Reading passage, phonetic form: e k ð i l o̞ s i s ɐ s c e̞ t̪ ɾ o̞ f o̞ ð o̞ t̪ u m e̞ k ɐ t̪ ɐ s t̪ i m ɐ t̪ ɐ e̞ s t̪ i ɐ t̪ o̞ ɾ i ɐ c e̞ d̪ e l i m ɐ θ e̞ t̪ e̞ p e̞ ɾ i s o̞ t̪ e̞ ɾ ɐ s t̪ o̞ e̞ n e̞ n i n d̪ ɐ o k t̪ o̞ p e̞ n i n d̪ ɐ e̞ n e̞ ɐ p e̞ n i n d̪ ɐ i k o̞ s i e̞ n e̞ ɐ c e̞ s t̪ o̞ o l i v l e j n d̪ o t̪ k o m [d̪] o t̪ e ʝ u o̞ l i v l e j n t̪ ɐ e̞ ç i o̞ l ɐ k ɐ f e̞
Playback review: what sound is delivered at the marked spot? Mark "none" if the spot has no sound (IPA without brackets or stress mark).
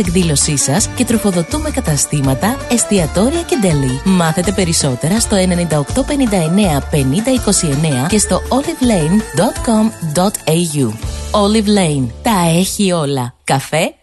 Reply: d̪